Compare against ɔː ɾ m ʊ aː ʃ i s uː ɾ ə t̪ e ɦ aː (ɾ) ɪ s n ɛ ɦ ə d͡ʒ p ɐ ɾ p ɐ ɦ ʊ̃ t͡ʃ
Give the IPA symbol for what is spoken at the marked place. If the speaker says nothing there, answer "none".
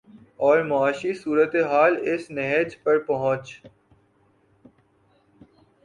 l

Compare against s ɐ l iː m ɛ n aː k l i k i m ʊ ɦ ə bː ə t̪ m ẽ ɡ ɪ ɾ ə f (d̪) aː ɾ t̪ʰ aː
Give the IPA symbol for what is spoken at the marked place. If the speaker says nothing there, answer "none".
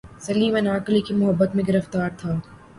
t̪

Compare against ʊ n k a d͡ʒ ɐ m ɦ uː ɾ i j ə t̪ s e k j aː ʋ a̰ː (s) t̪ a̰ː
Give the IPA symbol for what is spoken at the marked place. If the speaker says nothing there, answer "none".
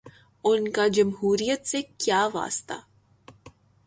s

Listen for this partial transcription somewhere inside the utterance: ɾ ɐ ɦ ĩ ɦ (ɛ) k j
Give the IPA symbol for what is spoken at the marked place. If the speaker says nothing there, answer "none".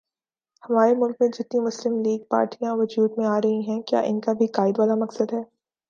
ɛ̃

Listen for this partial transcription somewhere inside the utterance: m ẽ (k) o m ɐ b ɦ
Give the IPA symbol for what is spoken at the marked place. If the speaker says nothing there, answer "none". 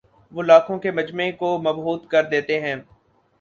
k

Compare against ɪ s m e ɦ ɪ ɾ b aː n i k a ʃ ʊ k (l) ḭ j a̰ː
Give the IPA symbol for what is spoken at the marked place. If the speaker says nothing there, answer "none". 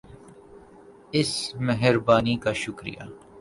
ɾ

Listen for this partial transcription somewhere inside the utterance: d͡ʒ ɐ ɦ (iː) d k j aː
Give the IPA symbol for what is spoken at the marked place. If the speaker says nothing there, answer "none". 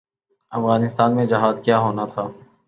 aː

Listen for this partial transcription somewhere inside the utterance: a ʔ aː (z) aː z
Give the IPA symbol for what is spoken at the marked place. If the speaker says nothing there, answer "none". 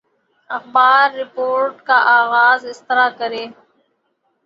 ɣ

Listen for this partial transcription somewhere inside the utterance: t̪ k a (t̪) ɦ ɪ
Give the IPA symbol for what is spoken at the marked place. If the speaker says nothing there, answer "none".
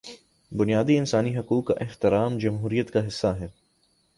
none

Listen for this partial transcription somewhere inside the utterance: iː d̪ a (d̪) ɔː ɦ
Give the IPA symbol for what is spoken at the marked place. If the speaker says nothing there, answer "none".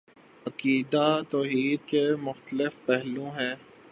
t̪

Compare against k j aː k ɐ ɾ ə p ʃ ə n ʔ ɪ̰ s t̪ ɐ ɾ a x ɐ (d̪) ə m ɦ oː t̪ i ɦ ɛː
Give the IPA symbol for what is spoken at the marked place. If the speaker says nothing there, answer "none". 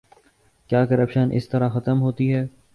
t̪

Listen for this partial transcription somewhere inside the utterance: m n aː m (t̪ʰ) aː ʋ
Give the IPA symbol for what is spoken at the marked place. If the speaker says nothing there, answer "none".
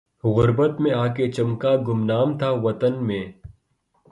t̪ʰ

